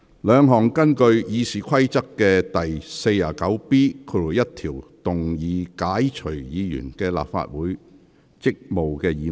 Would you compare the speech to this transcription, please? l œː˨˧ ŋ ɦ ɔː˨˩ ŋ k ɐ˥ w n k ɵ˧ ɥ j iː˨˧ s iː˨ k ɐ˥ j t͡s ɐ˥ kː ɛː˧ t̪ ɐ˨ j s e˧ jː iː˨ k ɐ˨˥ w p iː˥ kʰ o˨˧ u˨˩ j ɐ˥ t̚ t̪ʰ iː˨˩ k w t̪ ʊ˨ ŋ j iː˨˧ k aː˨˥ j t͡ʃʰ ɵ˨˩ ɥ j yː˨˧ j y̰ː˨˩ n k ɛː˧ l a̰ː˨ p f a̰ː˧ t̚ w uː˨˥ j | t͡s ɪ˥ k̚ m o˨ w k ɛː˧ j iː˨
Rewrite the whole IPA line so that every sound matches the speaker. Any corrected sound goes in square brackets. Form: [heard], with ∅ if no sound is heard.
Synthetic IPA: l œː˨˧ ŋ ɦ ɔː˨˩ ŋ k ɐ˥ [∅] n k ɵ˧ ɥ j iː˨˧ s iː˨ [kʰ] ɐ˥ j t͡s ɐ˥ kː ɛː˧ t̪ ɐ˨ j s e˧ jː [aː˨] k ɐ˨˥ w p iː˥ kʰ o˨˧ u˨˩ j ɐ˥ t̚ t̪ʰ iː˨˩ [∅] w t̪ ʊ˨ ŋ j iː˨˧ k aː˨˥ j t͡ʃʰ ɵ˨˩ ɥ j [iː˨˧] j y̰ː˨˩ n k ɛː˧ l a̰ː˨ p f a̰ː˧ t̚ w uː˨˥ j | t͡s ɪ˥ k̚ m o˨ w k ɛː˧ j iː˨

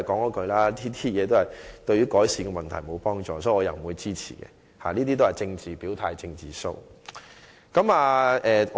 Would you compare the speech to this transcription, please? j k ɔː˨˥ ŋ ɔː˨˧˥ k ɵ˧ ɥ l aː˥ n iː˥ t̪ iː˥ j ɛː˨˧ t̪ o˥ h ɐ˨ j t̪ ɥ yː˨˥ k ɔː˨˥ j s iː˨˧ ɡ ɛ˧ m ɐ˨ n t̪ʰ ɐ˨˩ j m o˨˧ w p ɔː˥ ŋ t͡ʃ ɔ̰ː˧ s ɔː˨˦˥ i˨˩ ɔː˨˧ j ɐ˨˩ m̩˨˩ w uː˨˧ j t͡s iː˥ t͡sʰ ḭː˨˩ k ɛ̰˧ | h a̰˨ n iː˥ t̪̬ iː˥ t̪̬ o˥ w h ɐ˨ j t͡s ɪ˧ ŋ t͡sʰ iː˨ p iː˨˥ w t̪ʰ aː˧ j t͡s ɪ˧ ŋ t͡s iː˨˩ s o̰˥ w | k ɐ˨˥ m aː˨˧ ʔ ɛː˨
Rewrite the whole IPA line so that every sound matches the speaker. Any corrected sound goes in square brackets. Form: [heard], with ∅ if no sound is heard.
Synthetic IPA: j k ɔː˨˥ ŋ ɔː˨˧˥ k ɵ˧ ɥ l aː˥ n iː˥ t̪ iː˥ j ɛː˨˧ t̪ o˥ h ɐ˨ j t̪ ɥ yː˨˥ k ɔː˨˥ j s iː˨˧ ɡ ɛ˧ m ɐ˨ n t̪ʰ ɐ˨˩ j m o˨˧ w p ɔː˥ ŋ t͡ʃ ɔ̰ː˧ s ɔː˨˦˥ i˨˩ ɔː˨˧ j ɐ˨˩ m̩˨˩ w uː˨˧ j t͡s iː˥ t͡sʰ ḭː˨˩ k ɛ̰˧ | h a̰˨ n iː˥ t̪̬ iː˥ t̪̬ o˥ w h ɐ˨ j t͡s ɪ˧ ŋ [t͡s] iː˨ p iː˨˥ w t̪ʰ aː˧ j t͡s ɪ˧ ŋ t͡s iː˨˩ s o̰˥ w | k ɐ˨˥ m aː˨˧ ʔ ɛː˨

